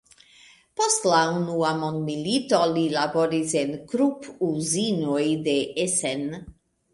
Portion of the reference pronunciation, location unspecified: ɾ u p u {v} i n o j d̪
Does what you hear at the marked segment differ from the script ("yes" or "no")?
yes